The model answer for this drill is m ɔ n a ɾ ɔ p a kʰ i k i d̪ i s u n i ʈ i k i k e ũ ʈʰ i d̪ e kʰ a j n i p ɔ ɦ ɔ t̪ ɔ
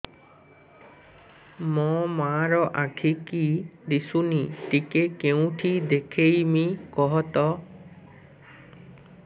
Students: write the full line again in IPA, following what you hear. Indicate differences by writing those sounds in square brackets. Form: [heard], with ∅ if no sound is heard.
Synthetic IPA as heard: m ɔ [m] a ɾ ɔ [ʔ] a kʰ i k i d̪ i s u n i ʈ i k [e] k e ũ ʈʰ i d̪ e kʰ [e] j [m] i [k] ɔ ɦ ɔ t̪ ɔ